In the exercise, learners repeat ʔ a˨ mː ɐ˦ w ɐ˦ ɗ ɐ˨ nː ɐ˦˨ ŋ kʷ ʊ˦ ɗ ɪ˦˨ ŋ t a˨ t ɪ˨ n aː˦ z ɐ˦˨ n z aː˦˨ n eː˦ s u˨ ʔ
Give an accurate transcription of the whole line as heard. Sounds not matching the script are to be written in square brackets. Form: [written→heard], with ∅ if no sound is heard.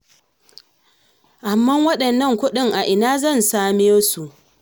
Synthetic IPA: ʔ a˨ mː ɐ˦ w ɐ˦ ɗ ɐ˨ nː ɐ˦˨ ŋ kʷ ʊ˦ ɗ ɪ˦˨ ŋ [t→ʔ] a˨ [t→ʔ] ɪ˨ n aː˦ z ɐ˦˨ n [z→s] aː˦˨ [n→m] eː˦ s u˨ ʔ